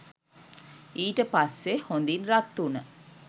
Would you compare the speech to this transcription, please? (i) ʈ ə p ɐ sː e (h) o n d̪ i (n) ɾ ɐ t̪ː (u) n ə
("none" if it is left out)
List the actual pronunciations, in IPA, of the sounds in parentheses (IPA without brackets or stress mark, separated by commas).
iː, h, n, u